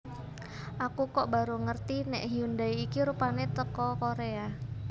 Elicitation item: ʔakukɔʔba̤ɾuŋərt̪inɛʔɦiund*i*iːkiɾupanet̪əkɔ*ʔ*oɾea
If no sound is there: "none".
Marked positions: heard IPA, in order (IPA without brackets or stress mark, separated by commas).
a, k